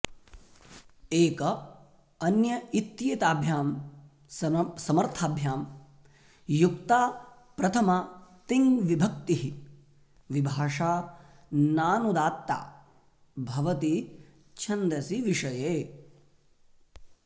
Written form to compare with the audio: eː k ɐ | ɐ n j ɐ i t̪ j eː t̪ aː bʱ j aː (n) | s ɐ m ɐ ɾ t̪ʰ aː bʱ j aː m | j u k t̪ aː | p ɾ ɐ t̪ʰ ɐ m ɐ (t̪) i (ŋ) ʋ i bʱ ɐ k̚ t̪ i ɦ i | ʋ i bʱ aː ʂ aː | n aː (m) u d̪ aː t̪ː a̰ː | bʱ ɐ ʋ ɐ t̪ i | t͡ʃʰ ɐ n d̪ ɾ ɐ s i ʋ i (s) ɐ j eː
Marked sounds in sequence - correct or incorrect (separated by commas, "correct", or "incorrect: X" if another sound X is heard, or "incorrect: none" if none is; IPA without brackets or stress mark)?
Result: incorrect: m, correct, correct, incorrect: n, incorrect: ʂ